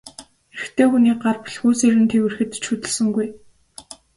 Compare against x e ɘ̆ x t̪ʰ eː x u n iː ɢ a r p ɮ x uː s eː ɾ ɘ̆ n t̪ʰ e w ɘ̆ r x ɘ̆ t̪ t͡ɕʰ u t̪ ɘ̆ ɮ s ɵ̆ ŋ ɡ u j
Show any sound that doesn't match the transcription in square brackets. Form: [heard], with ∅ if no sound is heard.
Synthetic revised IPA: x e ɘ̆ x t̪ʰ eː x u n iː ɢ a r p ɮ x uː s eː ɾ ɘ̆ n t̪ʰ e w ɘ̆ r x ɘ̆ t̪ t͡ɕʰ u t̪ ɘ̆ ɮ s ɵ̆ ŋ ɡ u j